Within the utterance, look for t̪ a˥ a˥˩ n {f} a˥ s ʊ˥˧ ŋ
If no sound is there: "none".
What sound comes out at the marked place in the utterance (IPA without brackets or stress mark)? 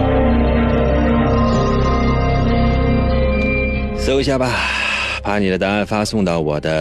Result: f